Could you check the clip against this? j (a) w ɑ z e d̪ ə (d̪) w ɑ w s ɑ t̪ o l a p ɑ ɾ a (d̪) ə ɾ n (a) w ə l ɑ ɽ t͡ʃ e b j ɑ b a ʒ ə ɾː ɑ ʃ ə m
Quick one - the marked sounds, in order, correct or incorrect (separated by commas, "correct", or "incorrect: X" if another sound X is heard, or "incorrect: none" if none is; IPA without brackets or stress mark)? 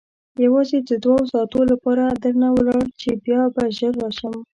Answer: correct, correct, correct, correct